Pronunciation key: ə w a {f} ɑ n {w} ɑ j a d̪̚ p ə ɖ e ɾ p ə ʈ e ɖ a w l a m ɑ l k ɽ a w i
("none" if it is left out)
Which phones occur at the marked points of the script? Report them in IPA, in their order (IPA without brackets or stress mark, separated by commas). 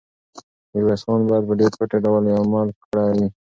s, b